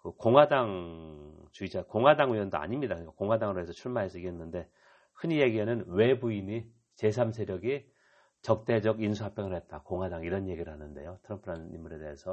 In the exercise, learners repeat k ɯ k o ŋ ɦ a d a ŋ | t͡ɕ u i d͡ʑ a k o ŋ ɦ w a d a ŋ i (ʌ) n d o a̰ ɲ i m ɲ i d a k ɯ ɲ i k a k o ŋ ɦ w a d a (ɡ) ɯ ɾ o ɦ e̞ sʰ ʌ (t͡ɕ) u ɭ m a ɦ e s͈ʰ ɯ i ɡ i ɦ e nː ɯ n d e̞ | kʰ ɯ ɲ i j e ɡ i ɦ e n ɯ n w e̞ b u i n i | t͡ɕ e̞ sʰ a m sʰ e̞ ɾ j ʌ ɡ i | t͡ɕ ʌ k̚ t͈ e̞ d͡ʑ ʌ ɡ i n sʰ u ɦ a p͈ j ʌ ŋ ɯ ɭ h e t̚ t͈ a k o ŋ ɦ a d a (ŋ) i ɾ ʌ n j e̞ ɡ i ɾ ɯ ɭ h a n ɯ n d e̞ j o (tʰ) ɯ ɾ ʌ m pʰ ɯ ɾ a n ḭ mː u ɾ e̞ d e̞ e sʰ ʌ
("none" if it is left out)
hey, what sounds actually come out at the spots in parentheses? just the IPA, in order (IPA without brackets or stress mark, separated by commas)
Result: ʌ, ŋ, t͡ɕʰ, ŋ, tʰ